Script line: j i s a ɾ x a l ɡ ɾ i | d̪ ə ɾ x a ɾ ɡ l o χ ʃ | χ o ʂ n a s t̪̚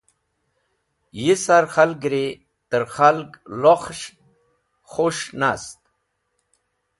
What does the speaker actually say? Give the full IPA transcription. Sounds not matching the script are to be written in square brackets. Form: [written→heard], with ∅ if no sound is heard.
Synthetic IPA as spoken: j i s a ɾ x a l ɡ ɾ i | [d̪→t̪] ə ɾ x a [ɾ→l] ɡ l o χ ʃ | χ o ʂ n a s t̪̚